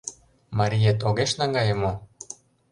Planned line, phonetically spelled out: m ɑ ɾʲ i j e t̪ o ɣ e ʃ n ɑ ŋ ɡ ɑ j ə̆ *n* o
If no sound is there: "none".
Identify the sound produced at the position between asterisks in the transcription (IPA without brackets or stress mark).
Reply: m